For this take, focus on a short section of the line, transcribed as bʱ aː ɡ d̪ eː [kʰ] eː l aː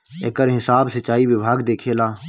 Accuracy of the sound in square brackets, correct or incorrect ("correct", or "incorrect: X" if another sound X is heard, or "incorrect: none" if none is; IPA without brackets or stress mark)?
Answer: correct